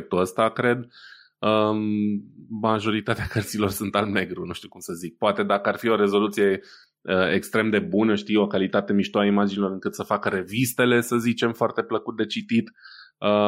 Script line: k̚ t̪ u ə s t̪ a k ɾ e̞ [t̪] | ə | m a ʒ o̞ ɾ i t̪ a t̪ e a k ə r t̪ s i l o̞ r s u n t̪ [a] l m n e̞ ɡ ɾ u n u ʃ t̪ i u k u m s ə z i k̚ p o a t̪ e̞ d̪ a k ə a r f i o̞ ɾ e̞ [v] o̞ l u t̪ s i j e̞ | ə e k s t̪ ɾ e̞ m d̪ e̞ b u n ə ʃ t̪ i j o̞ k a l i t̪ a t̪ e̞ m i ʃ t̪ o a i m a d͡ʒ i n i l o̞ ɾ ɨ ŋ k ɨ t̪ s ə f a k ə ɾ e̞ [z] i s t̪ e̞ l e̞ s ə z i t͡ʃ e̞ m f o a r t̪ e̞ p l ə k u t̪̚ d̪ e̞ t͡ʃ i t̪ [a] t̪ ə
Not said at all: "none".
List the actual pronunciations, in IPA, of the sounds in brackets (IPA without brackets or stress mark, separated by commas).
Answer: d̪, a, z, v, i